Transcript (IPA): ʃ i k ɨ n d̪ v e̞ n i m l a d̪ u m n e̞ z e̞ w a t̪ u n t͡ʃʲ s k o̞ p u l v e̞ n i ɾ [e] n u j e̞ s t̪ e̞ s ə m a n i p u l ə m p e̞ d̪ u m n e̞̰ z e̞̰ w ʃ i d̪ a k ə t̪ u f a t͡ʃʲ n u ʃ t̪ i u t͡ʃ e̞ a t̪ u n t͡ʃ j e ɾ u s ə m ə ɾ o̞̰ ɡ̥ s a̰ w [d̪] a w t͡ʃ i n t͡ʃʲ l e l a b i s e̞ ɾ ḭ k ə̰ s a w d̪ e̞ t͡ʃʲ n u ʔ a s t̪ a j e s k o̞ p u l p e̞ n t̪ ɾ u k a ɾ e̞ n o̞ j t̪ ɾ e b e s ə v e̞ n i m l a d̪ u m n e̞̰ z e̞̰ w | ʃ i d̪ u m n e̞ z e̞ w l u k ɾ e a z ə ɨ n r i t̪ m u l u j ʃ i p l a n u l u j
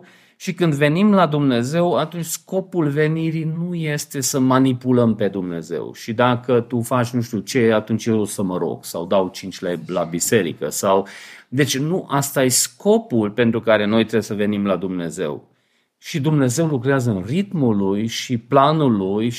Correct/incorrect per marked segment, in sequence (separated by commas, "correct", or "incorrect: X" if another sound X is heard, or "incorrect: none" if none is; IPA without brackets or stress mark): incorrect: i, correct